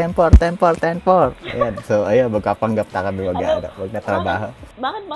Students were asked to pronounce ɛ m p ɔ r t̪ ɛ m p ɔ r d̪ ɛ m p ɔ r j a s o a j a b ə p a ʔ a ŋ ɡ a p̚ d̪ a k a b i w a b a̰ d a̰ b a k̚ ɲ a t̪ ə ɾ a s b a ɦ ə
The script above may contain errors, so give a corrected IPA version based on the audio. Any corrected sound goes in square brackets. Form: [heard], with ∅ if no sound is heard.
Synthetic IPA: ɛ m p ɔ r t̪ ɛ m p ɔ r [t̪] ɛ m p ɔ r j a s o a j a b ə [k] a [p] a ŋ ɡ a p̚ [t̪] a k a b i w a [ɡ] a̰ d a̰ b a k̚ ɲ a t̪ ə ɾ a [∅] b a ɦ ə